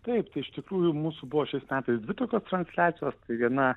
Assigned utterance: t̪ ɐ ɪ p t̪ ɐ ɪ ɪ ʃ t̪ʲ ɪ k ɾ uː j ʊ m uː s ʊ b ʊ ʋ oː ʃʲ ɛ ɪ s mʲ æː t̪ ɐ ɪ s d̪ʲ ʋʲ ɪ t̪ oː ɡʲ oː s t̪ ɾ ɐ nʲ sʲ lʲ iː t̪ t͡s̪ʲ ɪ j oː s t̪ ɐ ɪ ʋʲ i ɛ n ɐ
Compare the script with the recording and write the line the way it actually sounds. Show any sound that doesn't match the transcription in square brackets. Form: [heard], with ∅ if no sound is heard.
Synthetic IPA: t̪ ɐ ɪ p t̪ ɐ ɪ ɪ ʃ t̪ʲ ɪ k ɾ uː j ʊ m uː s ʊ b ʊ ʋ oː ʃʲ ɛ ɪ s mʲ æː t̪ ɐ ɪ s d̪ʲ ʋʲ ɪ t̪ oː [kʲ] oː s t̪ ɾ ɐ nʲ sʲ lʲ [æː] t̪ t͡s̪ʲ ɪ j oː s t̪ ɐ ɪ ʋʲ i ɛ n ɐ